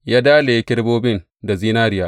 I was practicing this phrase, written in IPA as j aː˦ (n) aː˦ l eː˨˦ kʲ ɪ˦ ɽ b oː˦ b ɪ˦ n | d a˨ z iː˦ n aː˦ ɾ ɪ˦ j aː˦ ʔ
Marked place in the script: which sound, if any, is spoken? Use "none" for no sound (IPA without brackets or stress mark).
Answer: d